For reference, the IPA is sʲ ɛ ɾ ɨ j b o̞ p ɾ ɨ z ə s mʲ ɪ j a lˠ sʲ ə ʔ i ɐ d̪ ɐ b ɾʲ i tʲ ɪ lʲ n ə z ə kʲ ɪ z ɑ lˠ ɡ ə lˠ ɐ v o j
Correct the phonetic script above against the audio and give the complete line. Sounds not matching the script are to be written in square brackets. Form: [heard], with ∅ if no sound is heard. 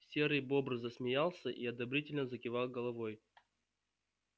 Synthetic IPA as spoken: sʲ [e] ɾ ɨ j b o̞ [b] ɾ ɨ z ə s mʲ ɪ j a lˠ sʲ ə ʔ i ɐ d̪ ɐ b ɾʲ i tʲ ɪ lʲ n ə z ə kʲ ɪ [v] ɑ lˠ ɡ ə lˠ ɐ v o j